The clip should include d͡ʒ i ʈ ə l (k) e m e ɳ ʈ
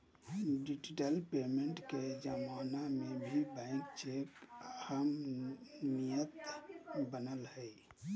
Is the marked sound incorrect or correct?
incorrect: p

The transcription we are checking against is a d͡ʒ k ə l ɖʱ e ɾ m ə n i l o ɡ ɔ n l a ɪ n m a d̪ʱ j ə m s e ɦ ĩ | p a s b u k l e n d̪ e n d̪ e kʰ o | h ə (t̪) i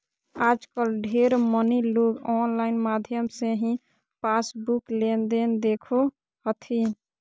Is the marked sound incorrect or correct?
incorrect: t̪ʰ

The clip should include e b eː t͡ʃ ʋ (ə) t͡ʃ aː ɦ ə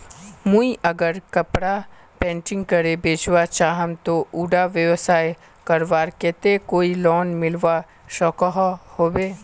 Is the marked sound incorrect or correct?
incorrect: a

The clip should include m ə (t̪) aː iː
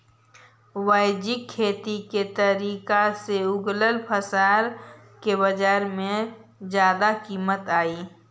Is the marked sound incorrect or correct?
correct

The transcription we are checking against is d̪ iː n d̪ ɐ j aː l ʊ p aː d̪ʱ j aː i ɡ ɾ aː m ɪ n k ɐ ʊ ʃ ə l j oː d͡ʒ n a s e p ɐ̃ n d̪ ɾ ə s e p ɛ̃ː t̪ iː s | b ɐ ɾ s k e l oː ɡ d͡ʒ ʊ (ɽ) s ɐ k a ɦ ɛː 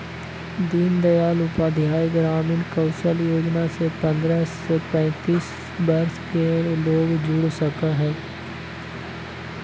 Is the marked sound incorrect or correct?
correct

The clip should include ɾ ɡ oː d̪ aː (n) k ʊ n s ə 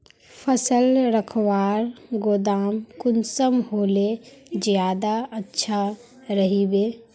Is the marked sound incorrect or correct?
incorrect: m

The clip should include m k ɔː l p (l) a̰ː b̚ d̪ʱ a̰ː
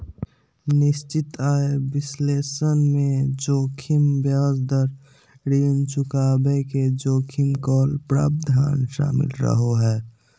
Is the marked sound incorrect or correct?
incorrect: ɾ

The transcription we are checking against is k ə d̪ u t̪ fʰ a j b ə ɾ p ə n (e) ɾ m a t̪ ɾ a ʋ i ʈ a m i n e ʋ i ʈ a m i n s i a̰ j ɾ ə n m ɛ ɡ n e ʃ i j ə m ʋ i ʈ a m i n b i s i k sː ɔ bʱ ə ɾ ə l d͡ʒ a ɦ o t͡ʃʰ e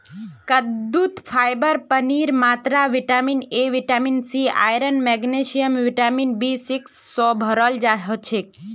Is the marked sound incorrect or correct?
incorrect: i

